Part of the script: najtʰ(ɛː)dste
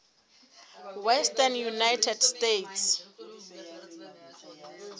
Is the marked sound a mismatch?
yes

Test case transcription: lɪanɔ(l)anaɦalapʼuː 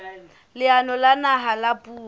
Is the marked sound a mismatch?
no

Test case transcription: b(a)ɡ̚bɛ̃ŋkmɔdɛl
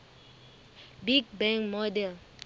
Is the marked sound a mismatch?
yes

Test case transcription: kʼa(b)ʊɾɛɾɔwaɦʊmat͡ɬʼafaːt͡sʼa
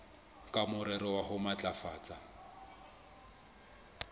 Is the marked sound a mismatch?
yes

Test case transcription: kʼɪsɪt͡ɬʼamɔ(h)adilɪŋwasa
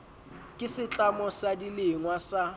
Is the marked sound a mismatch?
yes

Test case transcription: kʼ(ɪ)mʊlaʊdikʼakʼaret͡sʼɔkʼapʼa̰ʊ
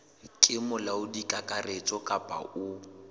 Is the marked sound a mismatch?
no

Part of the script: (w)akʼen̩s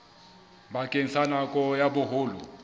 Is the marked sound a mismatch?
yes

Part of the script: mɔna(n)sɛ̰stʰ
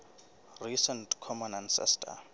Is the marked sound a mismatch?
no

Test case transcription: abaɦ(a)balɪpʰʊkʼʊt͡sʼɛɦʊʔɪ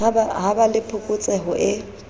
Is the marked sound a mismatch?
no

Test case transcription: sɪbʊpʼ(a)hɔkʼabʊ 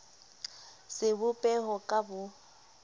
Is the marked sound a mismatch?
yes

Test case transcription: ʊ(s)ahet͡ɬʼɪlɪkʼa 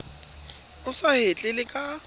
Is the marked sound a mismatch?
no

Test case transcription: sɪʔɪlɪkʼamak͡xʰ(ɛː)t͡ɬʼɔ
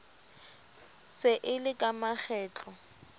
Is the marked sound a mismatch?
no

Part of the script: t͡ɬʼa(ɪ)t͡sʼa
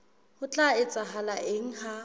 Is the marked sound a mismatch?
no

